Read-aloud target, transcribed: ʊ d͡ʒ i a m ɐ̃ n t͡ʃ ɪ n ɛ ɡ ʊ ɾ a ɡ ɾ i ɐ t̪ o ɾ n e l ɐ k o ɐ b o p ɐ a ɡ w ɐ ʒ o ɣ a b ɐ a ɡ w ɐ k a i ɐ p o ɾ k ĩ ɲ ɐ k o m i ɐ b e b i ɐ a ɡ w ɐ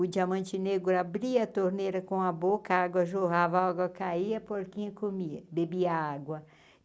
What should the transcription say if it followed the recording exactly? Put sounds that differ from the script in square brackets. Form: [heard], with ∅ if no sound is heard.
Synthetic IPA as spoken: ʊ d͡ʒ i a m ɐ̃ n t͡ʃ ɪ n [e] ɡ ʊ ɾ a [b] ɾ i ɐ t̪ o ɾ n e [ɾ] ɐ k [õ] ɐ b o [k] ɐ a ɡ w ɐ ʒ o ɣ a [v] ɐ a ɡ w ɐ k a i ɐ p o ɾ k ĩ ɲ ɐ k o m i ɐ b e b i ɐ a ɡ w ɐ